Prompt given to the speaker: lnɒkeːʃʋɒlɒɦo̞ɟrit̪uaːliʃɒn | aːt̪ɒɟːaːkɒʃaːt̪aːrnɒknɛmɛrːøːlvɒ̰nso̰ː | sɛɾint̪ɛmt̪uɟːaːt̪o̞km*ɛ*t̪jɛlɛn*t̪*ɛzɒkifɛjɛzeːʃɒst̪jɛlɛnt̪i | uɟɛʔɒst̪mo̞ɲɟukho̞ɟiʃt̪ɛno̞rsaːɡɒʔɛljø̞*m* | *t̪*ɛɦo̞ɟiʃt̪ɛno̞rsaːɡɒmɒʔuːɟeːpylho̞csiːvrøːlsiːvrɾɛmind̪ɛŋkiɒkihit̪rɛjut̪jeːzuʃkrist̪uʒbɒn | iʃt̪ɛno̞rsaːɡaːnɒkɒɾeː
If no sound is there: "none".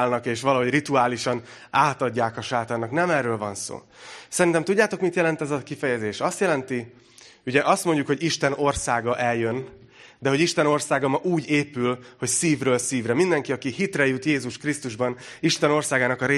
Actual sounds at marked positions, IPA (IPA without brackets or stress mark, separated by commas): i, t̪, n, d̪